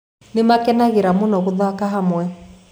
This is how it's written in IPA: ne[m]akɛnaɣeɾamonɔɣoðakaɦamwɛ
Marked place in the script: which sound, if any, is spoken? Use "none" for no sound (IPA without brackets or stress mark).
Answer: m